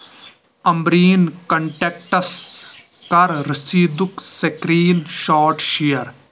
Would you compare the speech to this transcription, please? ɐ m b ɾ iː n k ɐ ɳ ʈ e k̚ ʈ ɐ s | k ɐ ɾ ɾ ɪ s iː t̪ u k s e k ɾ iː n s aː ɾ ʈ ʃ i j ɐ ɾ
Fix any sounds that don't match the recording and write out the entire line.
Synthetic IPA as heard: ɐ m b ɾ iː n k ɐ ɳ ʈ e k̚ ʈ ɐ s | k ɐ ɾ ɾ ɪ s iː d̪ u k s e k ɾ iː n ʃ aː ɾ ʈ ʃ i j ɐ ɾ